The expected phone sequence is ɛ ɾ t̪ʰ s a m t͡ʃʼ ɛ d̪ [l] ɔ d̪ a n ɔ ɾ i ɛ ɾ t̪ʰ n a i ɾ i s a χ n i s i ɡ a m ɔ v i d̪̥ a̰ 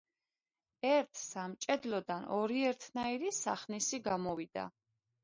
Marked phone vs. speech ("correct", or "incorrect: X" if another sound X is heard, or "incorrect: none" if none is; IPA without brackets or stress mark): correct